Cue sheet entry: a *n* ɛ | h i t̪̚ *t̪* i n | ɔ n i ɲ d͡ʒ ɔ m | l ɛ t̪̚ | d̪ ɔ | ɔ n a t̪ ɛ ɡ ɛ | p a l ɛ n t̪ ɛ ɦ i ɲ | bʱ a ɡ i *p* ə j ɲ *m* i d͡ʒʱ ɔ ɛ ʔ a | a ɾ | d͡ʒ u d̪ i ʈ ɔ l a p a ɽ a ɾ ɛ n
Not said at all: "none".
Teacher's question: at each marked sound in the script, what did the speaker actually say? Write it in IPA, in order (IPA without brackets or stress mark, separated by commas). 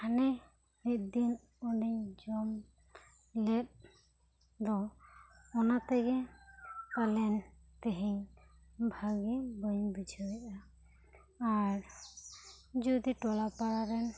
n, d̪, b, b